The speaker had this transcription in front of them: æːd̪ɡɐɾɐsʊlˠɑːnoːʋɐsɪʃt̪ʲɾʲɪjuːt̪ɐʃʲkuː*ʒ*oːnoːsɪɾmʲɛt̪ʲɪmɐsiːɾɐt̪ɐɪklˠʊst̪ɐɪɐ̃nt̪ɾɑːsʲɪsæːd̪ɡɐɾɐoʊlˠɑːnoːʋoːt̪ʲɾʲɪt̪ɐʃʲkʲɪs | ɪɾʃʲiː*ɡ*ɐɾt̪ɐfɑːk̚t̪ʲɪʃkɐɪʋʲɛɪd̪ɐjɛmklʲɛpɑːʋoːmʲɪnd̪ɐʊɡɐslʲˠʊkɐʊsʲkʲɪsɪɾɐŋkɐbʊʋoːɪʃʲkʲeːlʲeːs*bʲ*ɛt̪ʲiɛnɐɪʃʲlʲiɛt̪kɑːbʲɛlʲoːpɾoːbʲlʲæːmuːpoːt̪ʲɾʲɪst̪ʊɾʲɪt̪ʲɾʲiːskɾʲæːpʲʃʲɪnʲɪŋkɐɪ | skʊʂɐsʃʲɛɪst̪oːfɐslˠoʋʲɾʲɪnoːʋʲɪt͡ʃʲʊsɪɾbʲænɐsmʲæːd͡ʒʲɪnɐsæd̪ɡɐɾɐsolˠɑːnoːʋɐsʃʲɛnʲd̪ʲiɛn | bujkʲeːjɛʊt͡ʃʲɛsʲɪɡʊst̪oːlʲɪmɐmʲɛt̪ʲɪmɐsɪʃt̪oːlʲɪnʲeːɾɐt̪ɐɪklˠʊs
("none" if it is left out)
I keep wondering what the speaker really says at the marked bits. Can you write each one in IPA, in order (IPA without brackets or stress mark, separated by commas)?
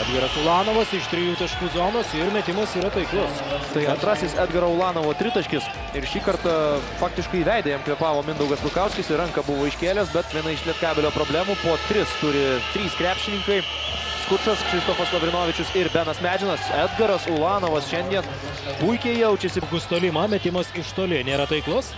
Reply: z, k, bʲ